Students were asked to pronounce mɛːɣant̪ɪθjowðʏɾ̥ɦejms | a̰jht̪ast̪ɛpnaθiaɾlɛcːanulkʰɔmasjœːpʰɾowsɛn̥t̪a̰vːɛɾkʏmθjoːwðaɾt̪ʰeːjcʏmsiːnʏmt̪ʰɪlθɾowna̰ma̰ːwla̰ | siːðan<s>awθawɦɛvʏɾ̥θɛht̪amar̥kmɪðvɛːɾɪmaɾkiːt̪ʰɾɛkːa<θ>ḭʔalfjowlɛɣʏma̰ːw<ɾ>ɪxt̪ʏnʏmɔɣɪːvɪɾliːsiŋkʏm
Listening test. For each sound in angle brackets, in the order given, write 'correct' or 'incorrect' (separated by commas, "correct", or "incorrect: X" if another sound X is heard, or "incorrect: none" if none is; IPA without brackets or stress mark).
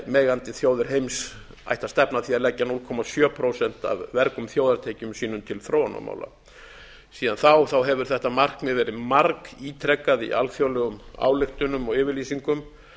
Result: incorrect: θ, incorrect: ð, incorrect: l